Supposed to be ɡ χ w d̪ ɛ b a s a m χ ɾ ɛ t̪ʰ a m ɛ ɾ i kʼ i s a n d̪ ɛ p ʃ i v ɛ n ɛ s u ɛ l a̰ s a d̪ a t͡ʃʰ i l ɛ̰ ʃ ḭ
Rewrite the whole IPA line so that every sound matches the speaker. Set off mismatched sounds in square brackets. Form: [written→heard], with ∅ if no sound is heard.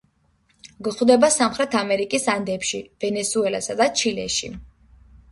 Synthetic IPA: ɡ χ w d̪ ɛ b a s a m χ ɾ ɛ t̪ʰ a m ɛ ɾ i kʼ i s a n d̪ ɛ p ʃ i v ɛ n ɛ s u ɛ l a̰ s a d̪ a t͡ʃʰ i l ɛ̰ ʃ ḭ